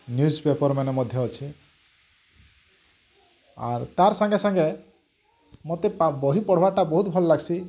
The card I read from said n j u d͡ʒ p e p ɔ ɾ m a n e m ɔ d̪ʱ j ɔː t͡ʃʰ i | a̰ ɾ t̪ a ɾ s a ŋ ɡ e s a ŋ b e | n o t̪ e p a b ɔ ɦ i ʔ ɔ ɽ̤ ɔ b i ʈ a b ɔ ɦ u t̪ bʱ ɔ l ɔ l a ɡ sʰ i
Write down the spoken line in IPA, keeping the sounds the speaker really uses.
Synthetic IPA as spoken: n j u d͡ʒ p e p ɔ ɾ m a n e m ɔ d̪ʱ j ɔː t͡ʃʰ i | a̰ ɾ t̪ a ɾ s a ŋ ɡ e s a ŋ ɡ e | m o t̪ e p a b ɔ ɦ i p ɔ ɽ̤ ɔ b a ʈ a b ɔ ɦ u t̪ bʱ ɔ l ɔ l a ɡ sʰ i